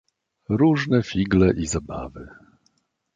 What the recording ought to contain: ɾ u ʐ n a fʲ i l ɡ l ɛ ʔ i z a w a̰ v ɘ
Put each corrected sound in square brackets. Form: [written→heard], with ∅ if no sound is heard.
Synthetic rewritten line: ɾ u ʐ n [a→ɛ] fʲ i [l→∅] ɡ l ɛ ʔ i z a [w→b] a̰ v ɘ